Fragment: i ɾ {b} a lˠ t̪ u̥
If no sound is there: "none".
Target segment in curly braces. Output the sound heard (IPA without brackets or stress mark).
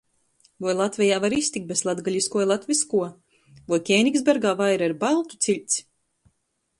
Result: b